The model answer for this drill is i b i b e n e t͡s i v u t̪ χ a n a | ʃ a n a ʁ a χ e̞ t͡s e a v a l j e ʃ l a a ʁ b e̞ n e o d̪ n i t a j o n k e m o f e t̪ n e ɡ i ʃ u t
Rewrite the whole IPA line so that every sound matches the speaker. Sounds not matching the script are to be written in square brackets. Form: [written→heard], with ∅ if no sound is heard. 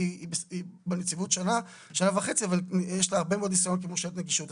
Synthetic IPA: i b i b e n e t͡s i v u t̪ [χ→ʃ] a n a | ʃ a n a [ʁ→v] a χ e̞ t͡s [e→i] a v a l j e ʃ l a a ʁ b e̞ [n→m] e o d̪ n i [t→s] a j o n k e m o [f→ʃ] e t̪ n e ɡ i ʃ u t